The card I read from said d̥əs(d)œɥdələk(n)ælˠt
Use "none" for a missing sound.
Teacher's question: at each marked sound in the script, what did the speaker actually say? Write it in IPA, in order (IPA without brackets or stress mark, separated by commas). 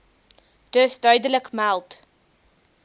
d, m